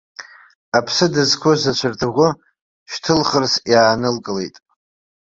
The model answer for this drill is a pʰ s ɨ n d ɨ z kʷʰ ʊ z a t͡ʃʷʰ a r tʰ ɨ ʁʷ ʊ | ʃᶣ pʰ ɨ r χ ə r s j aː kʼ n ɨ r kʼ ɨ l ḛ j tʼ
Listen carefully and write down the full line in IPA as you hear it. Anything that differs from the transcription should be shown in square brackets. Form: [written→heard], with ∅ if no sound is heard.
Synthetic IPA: a pʰ s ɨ [n→∅] d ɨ z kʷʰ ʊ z a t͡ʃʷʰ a r tʰ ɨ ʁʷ ʊ | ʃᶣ [pʰ→tʰ] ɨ [r→l] χ ə r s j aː [kʼ→∅] n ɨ [r→l] kʼ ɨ l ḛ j tʼ